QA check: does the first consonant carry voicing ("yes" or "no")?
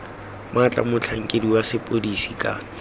yes